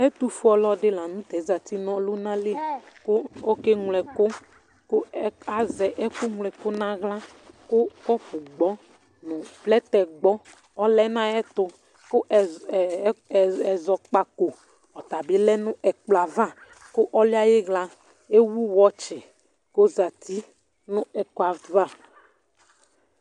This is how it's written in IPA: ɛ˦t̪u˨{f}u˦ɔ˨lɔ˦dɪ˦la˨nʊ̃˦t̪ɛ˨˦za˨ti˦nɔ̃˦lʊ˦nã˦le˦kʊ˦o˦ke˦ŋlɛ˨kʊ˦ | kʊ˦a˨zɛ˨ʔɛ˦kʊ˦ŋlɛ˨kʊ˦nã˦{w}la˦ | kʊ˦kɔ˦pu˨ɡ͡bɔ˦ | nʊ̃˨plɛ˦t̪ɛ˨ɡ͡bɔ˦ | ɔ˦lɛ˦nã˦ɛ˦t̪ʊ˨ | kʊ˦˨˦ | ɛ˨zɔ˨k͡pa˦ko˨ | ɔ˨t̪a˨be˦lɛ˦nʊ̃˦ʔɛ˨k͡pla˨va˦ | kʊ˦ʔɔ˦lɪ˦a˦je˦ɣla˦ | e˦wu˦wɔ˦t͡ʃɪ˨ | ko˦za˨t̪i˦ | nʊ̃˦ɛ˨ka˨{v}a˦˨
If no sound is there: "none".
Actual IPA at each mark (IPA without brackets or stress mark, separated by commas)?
f, ɣ, v